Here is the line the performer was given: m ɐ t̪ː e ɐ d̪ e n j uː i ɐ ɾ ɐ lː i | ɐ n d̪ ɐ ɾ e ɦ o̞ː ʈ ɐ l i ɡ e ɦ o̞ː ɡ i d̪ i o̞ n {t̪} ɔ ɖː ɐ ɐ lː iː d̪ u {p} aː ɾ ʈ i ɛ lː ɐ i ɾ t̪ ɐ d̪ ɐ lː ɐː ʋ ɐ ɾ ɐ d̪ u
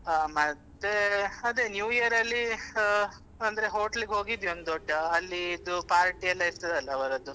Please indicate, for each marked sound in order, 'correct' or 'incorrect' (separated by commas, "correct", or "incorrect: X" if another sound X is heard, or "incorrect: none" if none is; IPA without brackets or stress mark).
incorrect: d̪, correct